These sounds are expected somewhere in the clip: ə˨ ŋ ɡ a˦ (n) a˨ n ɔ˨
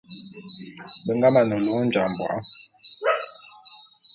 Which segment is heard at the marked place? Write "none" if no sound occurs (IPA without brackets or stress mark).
m